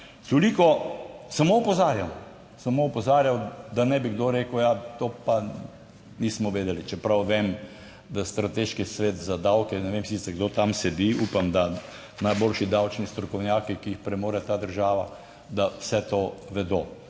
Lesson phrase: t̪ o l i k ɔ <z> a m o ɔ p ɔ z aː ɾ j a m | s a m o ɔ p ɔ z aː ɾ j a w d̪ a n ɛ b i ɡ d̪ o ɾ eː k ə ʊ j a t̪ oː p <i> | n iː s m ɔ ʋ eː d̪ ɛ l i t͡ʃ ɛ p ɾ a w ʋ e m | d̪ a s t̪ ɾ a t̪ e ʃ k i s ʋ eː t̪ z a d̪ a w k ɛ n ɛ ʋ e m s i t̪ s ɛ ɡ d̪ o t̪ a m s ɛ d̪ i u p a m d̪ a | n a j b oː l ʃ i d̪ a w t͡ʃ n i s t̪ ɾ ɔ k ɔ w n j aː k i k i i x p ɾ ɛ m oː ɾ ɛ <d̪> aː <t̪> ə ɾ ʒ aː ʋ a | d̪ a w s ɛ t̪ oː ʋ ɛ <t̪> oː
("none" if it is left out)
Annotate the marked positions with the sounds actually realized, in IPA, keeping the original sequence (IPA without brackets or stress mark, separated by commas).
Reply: s, a, t̪, d̪, d̪